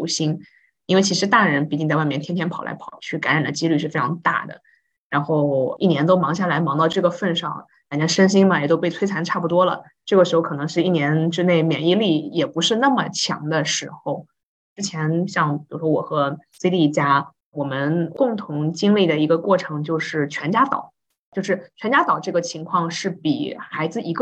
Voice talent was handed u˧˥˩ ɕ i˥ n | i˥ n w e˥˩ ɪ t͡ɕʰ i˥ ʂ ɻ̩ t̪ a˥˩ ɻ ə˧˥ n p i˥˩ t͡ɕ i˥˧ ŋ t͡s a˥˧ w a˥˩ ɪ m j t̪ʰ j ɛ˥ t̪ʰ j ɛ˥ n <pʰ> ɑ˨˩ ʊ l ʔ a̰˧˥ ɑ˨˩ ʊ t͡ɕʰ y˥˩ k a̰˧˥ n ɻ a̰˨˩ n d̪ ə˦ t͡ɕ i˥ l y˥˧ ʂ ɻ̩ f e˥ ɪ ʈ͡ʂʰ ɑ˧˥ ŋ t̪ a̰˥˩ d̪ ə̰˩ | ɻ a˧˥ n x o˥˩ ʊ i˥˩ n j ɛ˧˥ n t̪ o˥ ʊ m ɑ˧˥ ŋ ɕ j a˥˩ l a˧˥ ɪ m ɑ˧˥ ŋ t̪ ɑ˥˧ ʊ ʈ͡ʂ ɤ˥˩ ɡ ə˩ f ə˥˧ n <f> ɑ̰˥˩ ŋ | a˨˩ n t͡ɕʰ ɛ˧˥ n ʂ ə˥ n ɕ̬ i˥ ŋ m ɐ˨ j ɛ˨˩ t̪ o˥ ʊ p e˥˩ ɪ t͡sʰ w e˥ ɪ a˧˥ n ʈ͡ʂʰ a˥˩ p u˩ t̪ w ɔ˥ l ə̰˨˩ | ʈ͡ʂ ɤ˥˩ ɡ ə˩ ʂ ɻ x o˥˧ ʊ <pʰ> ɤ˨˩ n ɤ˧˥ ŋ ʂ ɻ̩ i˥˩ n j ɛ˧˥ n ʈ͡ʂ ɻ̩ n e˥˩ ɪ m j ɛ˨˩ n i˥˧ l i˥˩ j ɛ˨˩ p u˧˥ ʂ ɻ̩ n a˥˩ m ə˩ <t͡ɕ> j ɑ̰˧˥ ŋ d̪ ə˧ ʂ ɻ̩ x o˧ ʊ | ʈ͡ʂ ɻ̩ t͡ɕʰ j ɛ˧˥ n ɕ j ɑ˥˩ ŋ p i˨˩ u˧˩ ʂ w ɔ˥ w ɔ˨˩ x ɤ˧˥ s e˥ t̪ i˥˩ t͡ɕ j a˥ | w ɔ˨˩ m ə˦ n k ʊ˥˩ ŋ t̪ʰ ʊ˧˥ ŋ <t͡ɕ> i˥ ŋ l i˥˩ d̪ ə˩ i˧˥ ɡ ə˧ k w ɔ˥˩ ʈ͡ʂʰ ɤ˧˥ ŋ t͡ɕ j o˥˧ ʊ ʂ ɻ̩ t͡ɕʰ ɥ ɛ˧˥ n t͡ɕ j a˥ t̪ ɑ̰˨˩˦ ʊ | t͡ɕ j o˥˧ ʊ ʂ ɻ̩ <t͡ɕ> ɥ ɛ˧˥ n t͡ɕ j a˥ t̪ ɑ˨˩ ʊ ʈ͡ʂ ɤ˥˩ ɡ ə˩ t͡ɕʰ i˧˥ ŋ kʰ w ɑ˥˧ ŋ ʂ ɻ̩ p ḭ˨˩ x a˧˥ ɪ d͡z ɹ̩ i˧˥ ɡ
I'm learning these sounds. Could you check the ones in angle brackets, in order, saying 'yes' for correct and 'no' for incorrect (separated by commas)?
yes, no, no, no, yes, no